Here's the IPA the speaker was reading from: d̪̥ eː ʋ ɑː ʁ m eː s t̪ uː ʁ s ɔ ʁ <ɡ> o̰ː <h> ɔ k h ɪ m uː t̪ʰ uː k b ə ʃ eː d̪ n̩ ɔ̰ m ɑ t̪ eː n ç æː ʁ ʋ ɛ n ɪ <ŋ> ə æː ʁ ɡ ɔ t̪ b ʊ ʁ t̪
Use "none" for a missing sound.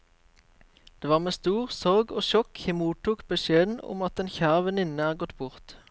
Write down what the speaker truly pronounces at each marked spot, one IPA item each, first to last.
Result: ɡ, ʃ, n

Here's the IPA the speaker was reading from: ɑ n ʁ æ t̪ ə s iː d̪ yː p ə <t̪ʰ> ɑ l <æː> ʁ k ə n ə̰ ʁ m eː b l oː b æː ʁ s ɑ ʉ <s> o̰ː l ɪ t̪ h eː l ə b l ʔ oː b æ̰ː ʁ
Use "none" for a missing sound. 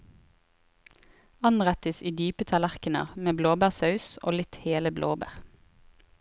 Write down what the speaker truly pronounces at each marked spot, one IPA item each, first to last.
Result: t̪ʰ, æ, s

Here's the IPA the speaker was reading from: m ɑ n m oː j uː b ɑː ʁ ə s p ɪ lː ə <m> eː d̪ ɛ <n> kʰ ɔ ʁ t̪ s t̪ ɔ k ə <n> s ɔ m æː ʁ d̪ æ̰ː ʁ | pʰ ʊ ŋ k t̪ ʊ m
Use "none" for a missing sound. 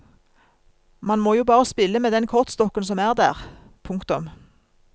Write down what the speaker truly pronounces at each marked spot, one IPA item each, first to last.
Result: m, n, n

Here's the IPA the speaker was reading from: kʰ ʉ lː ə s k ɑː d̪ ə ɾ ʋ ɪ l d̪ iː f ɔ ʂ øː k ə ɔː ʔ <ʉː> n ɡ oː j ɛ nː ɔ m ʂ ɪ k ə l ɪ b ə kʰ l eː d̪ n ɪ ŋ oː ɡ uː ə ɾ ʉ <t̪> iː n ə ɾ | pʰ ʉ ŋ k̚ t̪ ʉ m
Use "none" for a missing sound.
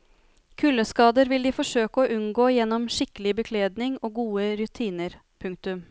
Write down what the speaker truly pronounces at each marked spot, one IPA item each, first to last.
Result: ʉ, t̪ʰ

